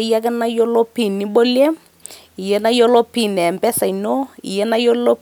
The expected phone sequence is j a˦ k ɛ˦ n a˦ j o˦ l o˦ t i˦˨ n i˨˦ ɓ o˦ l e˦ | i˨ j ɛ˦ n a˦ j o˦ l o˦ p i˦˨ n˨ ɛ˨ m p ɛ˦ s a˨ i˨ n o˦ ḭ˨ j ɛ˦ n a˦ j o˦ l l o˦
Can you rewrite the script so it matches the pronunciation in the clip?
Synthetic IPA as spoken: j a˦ k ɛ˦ n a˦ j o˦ l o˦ p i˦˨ n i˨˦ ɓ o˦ l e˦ | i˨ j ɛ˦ n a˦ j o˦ l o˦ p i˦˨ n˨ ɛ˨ m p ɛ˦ s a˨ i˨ n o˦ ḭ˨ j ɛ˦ n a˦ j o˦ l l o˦